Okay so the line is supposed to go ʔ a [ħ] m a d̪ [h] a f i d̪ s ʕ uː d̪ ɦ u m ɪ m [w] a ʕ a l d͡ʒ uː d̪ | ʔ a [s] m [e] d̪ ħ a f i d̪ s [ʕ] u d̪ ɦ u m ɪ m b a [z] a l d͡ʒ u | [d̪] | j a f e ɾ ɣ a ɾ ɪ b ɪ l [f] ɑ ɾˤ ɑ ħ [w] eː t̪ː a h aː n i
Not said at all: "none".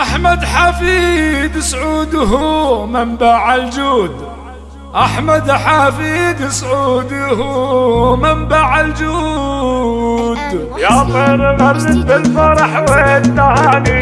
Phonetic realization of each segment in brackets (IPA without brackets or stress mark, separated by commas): ħ, ħ, b, ħ, a, ʕ, ʕ, d̪, f, w